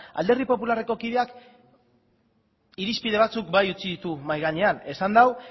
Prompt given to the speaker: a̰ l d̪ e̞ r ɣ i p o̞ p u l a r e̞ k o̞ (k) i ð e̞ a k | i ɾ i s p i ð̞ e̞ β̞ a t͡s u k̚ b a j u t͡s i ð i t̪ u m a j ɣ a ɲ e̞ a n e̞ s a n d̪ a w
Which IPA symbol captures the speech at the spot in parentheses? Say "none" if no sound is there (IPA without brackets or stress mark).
k